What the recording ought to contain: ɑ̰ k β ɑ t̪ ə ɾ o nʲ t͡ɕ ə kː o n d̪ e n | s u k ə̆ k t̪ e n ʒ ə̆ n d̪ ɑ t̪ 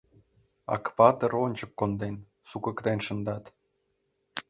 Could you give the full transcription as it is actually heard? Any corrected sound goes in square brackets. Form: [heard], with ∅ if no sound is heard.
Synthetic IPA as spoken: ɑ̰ k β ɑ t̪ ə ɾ o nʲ t͡ɕ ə kː o n d̪ e n | s u k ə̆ k t̪ e n [ʃ] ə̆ n d̪ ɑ t̪